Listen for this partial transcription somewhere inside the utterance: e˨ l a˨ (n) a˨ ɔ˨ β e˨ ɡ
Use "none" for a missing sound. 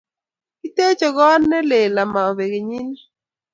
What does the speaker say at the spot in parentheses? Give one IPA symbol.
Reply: m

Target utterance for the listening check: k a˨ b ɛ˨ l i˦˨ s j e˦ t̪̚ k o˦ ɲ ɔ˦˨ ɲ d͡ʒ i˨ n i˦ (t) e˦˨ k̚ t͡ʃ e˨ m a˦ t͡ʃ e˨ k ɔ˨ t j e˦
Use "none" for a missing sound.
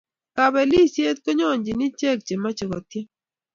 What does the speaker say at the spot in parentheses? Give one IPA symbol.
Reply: t͡ʃ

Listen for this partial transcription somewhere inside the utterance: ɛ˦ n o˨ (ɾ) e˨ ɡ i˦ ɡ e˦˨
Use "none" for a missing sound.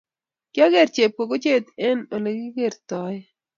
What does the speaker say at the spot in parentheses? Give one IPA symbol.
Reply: l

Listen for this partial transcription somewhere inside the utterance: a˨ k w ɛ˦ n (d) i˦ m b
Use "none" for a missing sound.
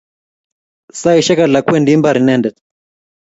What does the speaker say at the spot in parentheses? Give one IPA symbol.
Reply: d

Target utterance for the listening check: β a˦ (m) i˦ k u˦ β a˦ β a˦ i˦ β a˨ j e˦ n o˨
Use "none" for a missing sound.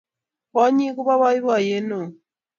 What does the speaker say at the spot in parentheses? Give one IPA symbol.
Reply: ɲ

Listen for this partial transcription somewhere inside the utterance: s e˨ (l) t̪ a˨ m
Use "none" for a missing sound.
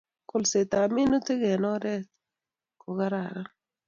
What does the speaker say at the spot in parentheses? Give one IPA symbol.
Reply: none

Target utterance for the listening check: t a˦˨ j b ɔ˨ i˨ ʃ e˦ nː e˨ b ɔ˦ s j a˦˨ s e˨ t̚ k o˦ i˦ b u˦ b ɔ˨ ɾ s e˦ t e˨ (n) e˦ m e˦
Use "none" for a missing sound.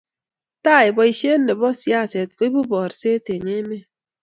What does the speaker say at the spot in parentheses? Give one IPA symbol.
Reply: ɲ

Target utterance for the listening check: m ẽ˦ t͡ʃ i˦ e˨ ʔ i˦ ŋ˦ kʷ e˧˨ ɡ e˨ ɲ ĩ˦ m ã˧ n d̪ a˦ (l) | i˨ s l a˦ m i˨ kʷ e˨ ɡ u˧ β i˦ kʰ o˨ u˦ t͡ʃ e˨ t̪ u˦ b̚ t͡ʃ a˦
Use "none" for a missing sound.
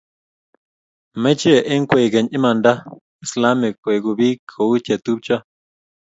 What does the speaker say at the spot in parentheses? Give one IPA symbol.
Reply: none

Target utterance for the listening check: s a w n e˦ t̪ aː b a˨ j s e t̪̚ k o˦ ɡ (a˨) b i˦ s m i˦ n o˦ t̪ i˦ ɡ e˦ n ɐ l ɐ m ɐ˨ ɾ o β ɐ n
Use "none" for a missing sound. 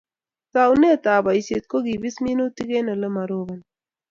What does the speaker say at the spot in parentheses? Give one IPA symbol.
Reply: i˨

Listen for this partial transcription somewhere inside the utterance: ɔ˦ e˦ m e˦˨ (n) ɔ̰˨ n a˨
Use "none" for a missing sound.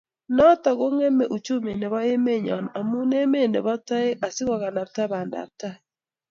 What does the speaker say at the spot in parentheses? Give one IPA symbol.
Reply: ɲ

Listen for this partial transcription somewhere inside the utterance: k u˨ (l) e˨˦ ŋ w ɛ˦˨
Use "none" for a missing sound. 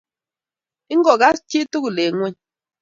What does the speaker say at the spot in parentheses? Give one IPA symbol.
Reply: l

